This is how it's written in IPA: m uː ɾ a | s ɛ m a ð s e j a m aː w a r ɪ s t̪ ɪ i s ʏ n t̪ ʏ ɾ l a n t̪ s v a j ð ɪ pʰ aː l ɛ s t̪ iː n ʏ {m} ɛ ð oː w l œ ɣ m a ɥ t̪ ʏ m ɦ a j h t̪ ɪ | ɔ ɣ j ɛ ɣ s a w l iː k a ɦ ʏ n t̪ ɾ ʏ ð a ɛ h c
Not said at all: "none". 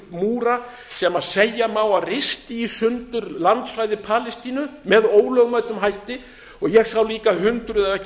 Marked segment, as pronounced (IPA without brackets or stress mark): m